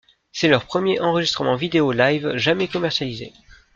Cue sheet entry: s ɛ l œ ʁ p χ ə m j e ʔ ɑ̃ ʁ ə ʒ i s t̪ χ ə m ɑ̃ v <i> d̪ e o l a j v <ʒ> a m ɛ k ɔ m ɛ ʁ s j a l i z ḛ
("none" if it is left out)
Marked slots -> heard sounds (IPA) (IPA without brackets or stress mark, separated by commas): i, ʒ